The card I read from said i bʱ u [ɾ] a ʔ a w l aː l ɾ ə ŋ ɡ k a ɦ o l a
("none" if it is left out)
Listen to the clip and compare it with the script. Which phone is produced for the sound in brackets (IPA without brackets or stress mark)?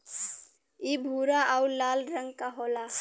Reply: ɾ